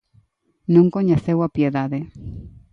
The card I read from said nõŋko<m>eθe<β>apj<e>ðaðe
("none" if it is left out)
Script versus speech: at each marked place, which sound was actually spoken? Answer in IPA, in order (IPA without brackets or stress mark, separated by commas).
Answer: ɲ, w, e